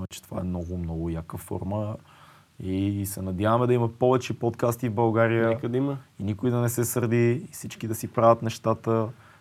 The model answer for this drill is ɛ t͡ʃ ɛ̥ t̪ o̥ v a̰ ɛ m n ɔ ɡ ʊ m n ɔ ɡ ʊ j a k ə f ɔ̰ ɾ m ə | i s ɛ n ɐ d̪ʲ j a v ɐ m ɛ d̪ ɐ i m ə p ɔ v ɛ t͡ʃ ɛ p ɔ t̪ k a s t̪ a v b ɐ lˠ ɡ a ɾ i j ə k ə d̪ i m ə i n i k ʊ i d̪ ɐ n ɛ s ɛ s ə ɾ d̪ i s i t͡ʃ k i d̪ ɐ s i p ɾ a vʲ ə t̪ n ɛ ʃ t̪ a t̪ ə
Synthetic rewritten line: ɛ t͡ʃ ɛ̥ t̪ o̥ v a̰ ɛ m n ɔ ɡ ʊ m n ɔ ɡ ʊ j a k ə f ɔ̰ ɾ m ə | i s ɛ n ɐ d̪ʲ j a v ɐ m ɛ d̪ ɐ i m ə p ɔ v ɛ t͡ʃ ɛ p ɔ t̪ k a s t̪ i v b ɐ lˠ ɡ a ɾ i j ə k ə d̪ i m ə i n i k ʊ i d̪ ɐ n ɛ s ɛ s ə ɾ d̪ i s i t͡ʃ k i d̪ ɐ s i p ɾ a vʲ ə t̪ n ɛ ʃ t̪ a t̪ ə